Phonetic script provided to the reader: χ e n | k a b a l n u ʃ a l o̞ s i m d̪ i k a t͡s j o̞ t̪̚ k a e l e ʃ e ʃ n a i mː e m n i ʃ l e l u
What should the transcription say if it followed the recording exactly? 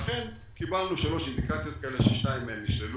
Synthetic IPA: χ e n | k i b a l n u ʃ a l o̞ ʃ i n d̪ i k a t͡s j o̞ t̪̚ k a e l e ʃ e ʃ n a i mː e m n i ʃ l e l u